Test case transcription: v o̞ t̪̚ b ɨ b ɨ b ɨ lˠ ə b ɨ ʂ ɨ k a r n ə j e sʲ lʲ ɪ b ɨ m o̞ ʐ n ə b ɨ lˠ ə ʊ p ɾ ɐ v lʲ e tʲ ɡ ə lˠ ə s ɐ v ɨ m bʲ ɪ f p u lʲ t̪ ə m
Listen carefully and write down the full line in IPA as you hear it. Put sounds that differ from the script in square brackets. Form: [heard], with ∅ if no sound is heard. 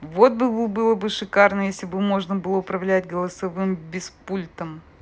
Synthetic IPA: v o̞ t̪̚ b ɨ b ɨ b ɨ lˠ ə b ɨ ʂ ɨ k a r n ə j e sʲ lʲ ɪ b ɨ m o̞ ʐ n ə b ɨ lˠ ə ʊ p ɾ ɐ v lʲ [æ] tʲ ɡ ə lˠ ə s ɐ v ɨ m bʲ ɪ [s] p u lʲ t̪ ə m